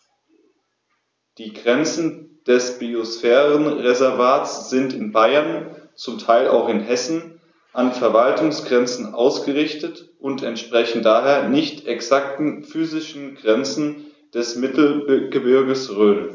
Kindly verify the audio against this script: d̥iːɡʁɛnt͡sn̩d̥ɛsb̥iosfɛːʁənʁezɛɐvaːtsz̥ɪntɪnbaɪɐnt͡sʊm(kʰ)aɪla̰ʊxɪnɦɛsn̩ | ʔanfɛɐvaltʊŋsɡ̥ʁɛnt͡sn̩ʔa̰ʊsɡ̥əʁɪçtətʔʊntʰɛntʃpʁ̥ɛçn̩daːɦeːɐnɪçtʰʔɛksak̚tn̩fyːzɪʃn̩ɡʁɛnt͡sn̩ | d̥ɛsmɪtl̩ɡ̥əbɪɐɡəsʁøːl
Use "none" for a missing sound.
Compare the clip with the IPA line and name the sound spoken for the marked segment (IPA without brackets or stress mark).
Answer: tʰ